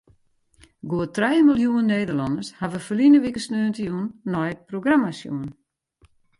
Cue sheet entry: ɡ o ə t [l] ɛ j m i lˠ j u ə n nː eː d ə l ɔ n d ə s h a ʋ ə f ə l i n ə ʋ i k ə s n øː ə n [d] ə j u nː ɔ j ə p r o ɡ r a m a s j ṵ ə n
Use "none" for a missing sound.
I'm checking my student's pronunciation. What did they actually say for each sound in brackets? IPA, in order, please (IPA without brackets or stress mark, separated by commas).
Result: r, t